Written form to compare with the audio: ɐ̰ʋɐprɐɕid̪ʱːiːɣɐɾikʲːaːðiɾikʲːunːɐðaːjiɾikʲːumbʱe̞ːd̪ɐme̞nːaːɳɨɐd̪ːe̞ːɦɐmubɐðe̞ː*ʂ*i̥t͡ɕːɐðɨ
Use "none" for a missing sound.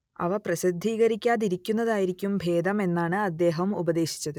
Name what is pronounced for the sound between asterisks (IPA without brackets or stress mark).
ɕ